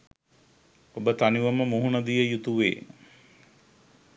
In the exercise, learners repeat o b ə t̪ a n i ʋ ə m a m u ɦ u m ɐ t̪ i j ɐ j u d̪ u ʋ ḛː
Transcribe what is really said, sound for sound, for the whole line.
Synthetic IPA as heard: o b ə t̪ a n i ʋ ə m ə m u ɦ u n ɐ d̪ i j ə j u t̪ u ʋ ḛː